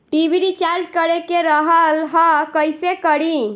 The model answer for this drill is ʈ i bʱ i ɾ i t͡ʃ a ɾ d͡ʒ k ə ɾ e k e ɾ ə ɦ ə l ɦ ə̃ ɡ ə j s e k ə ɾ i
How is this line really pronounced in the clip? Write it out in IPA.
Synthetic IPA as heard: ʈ i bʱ i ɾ i t͡ʃ a ɾ d͡ʒ k ə ɾ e k e ɾ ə ɦ ə l ɦ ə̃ k ə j s e k ə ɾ i